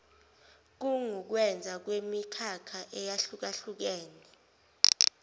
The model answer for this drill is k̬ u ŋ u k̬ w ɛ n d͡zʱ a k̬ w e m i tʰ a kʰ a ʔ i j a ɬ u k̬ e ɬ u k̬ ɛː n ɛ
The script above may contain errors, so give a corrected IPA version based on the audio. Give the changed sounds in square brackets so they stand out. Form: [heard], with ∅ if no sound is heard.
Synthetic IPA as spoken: k̬ u ŋ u k̬ w ɛ n d͡zʱ a k̬ w e m i [kʰ] a kʰ a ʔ [ɛ] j a ɬ u k̬ [a] ɬ u k̬ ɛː n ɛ